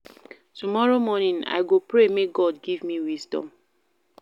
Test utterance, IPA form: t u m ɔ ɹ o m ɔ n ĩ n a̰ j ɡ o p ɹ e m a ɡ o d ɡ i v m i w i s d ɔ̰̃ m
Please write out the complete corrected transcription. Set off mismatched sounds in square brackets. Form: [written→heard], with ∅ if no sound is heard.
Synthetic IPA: t u m ɔ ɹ o m ɔ n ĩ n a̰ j ɡ o p ɹ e m [a→e] ɡ [o→ɔ] d ɡ i v m i w i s d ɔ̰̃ m